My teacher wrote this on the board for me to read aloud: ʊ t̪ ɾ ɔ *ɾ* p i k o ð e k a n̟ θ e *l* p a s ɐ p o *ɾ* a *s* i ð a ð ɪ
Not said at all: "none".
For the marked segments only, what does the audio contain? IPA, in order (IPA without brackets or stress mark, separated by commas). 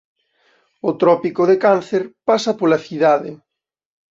none, ɾ, l, θ